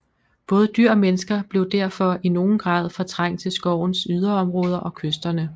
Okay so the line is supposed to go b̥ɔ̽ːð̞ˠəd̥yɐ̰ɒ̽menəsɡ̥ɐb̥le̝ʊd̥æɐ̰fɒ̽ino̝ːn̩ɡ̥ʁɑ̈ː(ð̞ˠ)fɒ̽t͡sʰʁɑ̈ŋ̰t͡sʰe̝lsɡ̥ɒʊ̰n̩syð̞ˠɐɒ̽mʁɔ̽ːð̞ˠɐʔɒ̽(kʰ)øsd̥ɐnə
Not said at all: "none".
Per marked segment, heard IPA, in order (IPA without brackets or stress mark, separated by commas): ð̞ˠ, kʰ